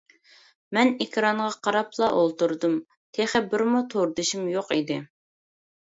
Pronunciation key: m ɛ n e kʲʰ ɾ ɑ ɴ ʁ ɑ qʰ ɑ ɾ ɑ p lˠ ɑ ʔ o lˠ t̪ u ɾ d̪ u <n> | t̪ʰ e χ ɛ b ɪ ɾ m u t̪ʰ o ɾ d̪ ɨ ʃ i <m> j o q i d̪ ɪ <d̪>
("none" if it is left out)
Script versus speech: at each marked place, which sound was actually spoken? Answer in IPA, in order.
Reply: m, m, none

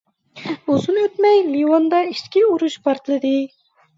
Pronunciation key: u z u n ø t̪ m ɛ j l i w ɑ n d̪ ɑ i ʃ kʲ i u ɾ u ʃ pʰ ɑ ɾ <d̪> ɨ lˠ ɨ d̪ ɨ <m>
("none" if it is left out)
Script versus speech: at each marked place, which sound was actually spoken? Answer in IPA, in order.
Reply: t̪, none

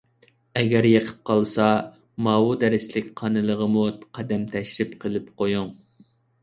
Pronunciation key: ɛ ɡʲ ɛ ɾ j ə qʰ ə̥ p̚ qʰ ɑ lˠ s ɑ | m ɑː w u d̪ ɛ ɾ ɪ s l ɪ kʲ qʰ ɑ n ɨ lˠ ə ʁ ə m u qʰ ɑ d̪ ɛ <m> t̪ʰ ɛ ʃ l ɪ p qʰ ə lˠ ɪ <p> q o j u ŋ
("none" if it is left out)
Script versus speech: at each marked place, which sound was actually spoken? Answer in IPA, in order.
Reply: m, p

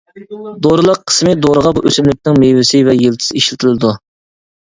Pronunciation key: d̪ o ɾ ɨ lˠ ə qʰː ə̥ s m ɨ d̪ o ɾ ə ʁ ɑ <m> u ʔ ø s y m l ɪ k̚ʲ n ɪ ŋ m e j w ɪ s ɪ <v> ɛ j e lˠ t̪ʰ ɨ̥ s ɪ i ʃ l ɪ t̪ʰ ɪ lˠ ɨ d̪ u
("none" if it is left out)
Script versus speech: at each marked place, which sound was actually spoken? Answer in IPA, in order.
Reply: b, v

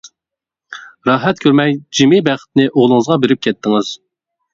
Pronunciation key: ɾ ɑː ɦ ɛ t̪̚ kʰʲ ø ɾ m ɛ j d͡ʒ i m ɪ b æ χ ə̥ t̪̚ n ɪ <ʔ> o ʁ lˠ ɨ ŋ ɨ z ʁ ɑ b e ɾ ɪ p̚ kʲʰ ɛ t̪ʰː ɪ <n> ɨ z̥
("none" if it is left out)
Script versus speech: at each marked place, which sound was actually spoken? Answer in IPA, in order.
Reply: ʔ, ŋ

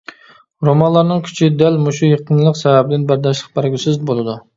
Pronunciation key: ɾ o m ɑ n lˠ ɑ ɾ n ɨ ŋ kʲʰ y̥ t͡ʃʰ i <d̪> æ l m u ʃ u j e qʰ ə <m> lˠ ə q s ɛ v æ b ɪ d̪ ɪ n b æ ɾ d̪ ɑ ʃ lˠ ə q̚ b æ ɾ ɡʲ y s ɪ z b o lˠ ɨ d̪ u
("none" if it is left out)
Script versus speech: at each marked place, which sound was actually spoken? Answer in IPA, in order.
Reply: d̪, n

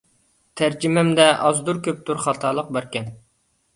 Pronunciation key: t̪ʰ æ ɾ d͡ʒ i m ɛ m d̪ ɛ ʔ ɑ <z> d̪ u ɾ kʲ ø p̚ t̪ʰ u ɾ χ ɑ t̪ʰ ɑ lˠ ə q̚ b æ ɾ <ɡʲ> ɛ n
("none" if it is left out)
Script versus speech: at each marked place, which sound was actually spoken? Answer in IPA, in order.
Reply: z, kʲ

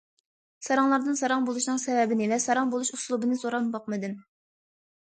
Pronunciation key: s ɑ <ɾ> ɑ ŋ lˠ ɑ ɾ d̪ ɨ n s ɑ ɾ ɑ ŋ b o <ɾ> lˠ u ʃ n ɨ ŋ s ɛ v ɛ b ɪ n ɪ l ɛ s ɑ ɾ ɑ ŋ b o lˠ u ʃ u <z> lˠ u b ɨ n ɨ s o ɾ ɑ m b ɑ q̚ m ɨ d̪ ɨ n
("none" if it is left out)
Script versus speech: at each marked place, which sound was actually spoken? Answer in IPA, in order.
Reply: ɾ, none, s

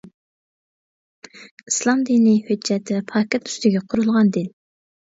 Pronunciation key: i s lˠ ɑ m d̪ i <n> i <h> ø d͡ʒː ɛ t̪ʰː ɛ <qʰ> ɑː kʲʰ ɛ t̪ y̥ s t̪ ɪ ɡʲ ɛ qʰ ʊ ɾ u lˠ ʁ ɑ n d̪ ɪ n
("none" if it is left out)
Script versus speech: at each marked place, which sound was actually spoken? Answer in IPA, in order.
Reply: n, h, pʰ

